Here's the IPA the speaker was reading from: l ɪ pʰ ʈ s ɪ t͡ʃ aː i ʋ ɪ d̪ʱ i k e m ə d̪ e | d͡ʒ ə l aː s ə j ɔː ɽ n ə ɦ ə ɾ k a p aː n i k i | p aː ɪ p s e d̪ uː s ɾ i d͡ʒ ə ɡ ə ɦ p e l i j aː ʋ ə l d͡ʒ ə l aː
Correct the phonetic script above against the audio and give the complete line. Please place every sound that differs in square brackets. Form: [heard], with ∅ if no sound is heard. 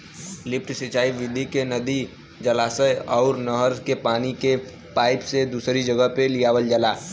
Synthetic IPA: l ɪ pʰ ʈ s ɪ t͡ʃ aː i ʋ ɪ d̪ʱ i k e [n] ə d̪ [i] | d͡ʒ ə l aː s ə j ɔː [ɾ] n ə ɦ ə ɾ k [e] p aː n i k [e] | p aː ɪ p s e d̪ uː s ɾ i d͡ʒ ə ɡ ə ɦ p e l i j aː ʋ ə l d͡ʒ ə l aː

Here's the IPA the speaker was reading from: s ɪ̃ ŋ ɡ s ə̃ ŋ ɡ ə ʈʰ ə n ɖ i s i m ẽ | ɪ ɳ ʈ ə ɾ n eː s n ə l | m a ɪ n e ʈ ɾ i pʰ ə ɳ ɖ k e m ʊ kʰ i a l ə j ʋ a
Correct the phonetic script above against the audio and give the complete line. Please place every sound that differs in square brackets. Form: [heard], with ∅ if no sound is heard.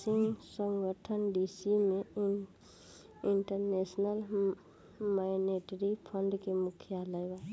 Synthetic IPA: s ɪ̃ ŋ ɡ s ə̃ ŋ ɡ ə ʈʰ ə n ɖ i s i m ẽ | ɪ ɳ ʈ ə ɾ n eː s n ə l | m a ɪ n e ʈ ɾ i pʰ ə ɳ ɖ k e m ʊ kʰ [j] a l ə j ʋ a

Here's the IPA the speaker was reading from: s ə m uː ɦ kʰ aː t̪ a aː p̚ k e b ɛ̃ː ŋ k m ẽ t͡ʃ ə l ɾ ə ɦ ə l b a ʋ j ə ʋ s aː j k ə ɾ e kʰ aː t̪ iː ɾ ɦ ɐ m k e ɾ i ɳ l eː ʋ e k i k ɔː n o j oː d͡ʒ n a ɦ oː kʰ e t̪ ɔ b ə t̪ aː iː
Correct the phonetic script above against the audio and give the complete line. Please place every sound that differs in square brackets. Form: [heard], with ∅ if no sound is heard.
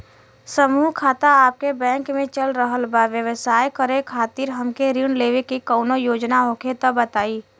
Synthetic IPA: s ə m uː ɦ kʰ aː t̪ a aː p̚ k e b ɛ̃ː ŋ k m ẽ t͡ʃ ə l ɾ ə ɦ ə l b a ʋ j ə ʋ s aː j k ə ɾ e kʰ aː t̪ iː ɾ ɦ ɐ m k e ɾ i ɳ l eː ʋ e k i k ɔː n o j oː d͡ʒ n a ɦ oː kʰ e t̪ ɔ b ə t̪ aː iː

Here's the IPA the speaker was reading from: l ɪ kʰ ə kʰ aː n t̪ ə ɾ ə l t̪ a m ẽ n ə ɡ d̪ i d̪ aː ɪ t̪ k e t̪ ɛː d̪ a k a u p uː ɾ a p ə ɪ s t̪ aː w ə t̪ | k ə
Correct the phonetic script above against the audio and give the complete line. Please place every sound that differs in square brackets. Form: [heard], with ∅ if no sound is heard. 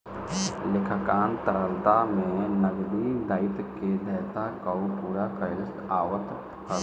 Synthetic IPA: l ɪ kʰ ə [k] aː n t̪ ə ɾ ə l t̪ a m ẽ n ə ɡ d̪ i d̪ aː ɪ t̪ k e [d̪] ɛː [t̪] a k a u p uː ɾ a [k] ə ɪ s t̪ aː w ə t̪ | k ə

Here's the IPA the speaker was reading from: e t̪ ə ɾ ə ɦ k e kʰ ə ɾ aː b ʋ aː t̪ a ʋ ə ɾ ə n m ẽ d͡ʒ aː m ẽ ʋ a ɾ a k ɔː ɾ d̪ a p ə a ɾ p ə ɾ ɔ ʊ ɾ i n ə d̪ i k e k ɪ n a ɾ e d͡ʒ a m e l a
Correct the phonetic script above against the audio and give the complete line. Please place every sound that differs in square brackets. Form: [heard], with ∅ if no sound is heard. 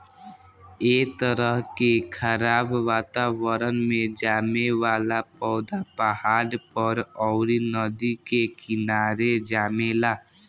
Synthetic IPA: e t̪ ə ɾ ə ɦ k e kʰ ə ɾ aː b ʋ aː t̪ a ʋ ə ɾ ə n m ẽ d͡ʒ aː m [e] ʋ a [l] a [p] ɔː [∅] d̪ a p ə a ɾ p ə ɾ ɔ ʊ ɾ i n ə d̪ i k e k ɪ n a ɾ e d͡ʒ a m e l a

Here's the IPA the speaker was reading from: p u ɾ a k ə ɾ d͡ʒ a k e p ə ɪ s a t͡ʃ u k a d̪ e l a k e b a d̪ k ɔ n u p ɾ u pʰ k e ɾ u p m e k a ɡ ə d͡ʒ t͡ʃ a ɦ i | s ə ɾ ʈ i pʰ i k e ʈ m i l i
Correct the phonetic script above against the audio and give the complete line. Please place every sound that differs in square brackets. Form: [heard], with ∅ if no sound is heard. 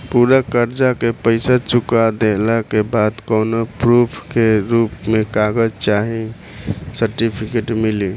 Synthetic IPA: p u ɾ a k ə ɾ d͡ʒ a k e p ə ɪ s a t͡ʃ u k a d̪ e l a k e b a d̪ k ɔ n [o] p ɾ u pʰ k e ɾ u p m e k a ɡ ə d͡ʒ t͡ʃ a ɦ i | s ə ɾ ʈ i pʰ i k e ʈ m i l i

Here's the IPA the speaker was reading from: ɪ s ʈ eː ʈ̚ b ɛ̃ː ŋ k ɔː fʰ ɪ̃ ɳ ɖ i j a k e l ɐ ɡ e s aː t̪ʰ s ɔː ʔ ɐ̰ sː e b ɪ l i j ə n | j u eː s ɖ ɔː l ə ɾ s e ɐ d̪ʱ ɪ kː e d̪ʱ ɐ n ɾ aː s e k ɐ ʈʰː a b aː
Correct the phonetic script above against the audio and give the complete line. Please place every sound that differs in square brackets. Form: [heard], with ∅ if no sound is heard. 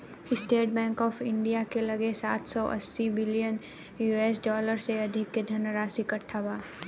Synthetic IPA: ɪ s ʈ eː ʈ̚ b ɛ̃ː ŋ k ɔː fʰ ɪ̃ ɳ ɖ i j a k e l ɐ ɡ e s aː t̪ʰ s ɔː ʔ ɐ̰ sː [i] b ɪ l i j ə n | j u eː s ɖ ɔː l ə ɾ s e ɐ d̪ʱ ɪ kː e d̪ʱ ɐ n ɾ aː s [i] k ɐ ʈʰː a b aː

